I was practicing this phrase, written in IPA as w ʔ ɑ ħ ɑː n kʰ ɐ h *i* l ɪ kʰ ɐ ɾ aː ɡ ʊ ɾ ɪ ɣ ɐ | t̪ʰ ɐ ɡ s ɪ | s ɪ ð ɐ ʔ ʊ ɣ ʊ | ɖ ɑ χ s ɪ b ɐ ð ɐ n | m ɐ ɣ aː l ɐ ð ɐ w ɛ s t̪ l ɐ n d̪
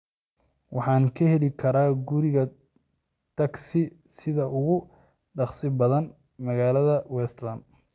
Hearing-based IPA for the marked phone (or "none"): ɛ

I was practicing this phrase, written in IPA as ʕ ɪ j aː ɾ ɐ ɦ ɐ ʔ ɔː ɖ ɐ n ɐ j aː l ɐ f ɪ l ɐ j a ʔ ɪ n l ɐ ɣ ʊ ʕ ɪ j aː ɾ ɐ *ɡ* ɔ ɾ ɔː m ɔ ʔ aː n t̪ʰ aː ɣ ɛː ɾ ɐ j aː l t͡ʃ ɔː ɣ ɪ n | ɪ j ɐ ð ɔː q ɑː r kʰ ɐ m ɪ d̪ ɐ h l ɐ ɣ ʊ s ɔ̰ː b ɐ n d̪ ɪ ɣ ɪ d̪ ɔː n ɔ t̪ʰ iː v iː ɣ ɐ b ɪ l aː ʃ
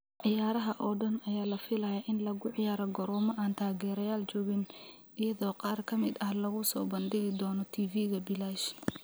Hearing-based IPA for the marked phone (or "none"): ɡ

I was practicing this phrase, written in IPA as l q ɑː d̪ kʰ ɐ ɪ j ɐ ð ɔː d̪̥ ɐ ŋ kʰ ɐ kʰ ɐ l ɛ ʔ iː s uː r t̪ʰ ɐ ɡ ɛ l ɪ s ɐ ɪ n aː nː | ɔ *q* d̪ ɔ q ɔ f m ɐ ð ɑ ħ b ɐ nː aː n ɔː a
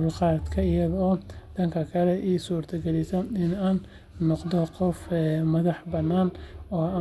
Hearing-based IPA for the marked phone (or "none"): q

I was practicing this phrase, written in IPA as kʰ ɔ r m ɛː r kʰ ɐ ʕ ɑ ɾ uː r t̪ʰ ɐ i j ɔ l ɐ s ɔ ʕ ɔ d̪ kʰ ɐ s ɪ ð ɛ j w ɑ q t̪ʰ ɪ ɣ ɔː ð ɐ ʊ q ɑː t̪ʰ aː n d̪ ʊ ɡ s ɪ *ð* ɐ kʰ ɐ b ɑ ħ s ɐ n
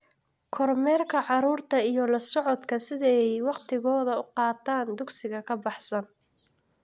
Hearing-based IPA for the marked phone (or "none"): ɣ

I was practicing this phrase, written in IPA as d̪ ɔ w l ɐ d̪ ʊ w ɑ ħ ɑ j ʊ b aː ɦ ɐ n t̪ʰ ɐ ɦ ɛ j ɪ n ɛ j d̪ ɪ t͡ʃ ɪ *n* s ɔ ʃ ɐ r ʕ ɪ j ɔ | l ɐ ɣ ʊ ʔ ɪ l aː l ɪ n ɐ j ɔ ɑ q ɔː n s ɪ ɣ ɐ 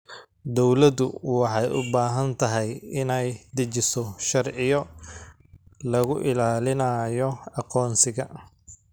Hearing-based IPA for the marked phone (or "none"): none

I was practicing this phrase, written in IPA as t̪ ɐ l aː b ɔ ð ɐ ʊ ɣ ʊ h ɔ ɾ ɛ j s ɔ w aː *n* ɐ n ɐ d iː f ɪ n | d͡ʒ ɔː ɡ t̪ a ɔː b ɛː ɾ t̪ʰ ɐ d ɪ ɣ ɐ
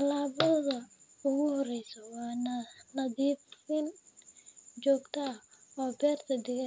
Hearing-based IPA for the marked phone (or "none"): n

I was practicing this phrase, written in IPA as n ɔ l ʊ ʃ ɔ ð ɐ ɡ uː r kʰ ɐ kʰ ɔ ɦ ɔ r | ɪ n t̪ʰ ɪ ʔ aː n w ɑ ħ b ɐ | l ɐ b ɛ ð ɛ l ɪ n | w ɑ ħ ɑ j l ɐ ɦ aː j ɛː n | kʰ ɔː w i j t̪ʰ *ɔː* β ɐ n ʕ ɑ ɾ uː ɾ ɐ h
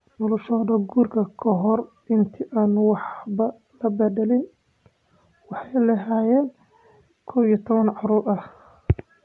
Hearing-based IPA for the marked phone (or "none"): ɔ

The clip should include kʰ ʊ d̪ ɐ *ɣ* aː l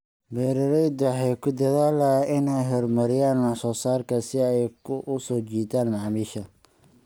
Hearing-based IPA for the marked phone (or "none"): ð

